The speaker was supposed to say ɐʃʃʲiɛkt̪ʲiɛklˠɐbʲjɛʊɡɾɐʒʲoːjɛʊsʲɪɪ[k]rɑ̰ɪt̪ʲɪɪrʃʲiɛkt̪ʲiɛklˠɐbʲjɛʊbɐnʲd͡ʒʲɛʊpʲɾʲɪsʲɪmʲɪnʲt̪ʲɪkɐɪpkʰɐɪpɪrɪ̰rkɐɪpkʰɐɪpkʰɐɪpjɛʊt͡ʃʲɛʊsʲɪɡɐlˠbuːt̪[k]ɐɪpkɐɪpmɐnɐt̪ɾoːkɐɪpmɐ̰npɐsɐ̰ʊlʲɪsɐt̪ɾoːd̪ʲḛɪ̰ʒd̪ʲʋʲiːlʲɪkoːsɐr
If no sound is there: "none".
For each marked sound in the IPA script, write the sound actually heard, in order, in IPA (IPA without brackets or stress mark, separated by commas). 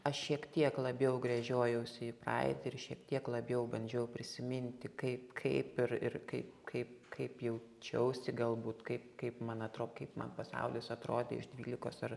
p, k